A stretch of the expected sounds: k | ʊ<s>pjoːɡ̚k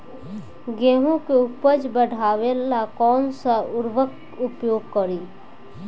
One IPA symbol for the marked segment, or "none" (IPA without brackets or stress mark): none